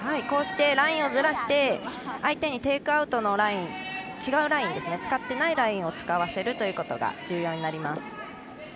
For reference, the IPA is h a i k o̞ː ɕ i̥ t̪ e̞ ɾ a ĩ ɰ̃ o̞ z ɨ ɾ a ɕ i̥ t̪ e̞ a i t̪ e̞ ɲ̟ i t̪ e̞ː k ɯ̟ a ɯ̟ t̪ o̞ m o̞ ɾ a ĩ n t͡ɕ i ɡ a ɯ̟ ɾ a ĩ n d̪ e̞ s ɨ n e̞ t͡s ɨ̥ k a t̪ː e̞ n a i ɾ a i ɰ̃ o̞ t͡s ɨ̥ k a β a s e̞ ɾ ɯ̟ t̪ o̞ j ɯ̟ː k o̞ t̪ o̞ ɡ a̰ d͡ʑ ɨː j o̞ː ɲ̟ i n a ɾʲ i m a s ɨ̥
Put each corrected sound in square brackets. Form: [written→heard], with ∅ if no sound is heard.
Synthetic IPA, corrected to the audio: h a i k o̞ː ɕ i̥ t̪ e̞ ɾ a ĩ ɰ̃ o̞ z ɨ ɾ a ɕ i̥ t̪ e̞ a i t̪ e̞ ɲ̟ i t̪ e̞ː k ɯ̟ a ɯ̟ t̪ o̞ [m→n] o̞ ɾ a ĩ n t͡ɕ i ɡ a ɯ̟ ɾ a ĩ n d̪ e̞ s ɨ n e̞ t͡s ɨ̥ k a t̪ː e̞ n a i ɾ a [i→ĩ] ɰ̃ o̞ t͡s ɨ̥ k a β a s e̞ ɾ ɯ̟ t̪ o̞ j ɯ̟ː k o̞ t̪ o̞ ɡ a̰ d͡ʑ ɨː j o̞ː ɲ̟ i n a ɾʲ i m a s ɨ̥